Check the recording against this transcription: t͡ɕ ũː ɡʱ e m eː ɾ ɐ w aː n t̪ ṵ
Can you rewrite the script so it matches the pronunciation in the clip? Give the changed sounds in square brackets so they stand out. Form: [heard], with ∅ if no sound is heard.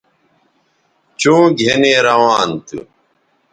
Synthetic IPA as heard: t͡ɕ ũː ɡʱ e [n] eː ɾ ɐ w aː n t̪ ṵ

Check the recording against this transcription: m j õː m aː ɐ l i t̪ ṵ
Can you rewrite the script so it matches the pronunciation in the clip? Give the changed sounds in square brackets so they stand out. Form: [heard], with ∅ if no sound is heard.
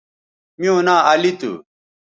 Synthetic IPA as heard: m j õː [n] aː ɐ l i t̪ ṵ

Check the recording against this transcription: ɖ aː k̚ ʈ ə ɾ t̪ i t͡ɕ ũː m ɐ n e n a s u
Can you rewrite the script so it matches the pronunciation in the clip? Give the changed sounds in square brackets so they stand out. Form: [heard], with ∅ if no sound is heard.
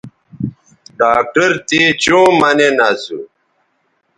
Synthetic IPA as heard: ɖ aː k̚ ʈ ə ɾ t̪ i t͡ɕ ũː m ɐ n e n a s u

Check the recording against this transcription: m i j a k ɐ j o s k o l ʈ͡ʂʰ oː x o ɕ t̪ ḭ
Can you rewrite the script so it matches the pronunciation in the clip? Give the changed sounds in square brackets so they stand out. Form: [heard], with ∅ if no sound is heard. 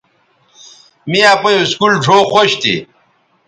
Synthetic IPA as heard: m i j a [p] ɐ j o s k [u] l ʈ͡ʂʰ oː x o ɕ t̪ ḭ

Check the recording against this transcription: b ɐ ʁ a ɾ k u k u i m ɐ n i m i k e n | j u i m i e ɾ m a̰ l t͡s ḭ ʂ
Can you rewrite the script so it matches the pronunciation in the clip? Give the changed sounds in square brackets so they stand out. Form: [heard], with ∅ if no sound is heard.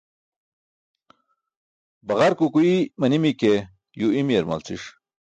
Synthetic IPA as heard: b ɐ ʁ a ɾ k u k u i m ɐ n i m i k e [∅] | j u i m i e ɾ m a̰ l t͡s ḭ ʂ

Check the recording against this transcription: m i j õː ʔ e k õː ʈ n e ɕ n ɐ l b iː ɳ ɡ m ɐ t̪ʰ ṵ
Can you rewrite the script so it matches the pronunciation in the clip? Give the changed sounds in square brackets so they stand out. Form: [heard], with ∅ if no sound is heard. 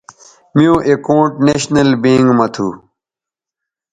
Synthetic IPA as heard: m i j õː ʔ e k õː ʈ n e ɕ n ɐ l b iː [ŋ] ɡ m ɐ t̪ʰ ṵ

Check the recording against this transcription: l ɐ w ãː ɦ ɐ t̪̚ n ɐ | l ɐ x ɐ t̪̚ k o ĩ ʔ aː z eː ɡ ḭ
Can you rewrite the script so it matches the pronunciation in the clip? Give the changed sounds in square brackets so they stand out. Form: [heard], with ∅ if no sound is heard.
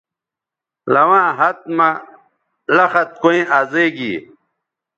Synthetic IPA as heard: l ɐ w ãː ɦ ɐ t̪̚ [m] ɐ | l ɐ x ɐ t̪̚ k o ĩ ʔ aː z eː ɡ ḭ

